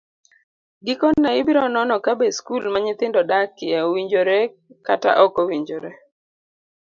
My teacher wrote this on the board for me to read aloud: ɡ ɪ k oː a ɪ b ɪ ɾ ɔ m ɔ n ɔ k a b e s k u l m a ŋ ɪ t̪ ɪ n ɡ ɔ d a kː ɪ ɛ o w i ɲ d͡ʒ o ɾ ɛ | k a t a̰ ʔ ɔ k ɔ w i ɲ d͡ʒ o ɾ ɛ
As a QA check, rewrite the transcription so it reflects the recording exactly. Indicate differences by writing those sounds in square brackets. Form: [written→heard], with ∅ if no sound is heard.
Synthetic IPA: ɡ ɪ k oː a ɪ b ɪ ɾ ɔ [m→n] ɔ n ɔ k a b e s k u l m a [ŋ→ɲ] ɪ t̪ ɪ n [ɡ→d] ɔ d a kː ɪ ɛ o w i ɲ d͡ʒ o ɾ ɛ | k a t a̰ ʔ ɔ k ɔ w i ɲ d͡ʒ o ɾ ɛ